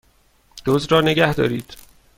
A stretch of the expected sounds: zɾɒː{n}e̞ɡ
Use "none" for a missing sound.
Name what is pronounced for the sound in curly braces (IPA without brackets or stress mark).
n